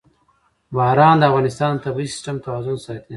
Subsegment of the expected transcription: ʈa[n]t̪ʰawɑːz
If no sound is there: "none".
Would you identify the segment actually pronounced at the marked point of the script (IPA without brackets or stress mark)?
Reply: m